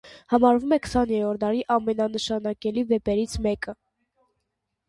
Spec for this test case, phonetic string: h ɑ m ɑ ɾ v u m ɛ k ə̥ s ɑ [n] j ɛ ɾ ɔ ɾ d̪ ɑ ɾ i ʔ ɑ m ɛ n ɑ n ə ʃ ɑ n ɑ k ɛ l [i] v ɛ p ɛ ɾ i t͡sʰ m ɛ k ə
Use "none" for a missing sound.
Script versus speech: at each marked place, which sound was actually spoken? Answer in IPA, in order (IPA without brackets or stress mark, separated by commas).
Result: n, i